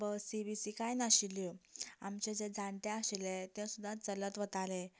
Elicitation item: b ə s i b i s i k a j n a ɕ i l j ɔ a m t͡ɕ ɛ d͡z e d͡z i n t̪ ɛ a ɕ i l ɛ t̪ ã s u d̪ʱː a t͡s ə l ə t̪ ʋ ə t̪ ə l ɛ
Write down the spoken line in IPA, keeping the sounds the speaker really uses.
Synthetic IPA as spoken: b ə s i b i s i k a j n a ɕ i l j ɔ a m t͡ɕ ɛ d͡z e d͡z a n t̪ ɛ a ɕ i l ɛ t̪ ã s u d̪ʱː a t͡s ə l ə t̪ ʋ ə t̪ a l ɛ